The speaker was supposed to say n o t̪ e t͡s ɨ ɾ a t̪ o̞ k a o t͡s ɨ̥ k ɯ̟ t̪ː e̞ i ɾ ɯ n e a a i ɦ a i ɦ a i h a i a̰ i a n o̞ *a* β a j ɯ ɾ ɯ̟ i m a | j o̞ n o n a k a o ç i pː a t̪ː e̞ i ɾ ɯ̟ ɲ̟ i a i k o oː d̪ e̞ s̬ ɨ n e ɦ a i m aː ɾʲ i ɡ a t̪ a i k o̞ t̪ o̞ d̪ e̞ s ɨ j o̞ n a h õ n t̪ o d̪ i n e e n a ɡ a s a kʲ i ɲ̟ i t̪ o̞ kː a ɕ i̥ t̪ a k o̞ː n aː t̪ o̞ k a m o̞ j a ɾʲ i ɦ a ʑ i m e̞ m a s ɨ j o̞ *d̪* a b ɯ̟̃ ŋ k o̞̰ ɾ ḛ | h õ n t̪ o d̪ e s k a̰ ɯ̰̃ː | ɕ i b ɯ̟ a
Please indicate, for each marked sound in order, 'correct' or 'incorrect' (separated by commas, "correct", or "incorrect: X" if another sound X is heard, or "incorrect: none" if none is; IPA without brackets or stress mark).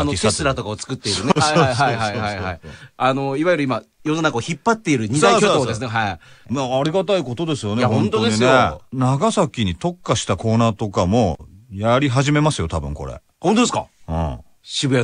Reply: incorrect: i, incorrect: t̪